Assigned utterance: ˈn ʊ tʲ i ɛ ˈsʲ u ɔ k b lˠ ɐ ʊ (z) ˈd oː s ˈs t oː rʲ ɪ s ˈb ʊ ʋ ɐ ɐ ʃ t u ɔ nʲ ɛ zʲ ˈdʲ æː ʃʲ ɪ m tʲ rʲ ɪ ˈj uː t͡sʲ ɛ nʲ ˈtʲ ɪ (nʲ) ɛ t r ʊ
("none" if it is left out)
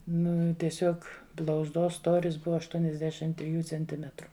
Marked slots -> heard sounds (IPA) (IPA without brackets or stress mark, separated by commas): z, mʲ